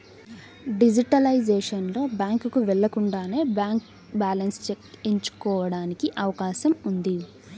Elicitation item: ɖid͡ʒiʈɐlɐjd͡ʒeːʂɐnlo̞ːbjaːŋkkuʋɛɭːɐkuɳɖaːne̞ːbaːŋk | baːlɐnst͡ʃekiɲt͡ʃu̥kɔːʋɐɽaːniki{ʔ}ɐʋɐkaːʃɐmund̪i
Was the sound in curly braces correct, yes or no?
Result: yes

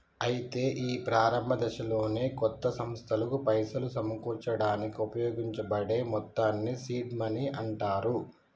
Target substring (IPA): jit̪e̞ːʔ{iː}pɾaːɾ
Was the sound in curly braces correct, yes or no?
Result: yes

